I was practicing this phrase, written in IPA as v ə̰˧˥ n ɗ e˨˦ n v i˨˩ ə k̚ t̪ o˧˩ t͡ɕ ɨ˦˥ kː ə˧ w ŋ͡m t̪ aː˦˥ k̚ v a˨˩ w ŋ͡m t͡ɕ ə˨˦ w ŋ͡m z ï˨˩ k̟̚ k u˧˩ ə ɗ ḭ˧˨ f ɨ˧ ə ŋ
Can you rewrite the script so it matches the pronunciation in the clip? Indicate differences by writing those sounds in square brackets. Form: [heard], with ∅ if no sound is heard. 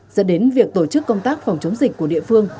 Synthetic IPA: [z] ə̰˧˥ n ɗ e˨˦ n v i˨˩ ə k̚ t̪ o˧˩ t͡ɕ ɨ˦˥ kː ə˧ w ŋ͡m t̪ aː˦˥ k̚ [f] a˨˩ w ŋ͡m t͡ɕ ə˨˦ w ŋ͡m z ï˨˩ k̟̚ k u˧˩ ə ɗ ḭ˧˨ f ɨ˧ ə ŋ